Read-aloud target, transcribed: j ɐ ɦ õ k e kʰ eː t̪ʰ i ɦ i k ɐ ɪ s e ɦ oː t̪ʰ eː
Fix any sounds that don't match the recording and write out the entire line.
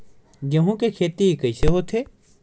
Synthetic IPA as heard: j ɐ ɦ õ k e kʰ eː t̪ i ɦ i k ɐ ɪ s e ɦ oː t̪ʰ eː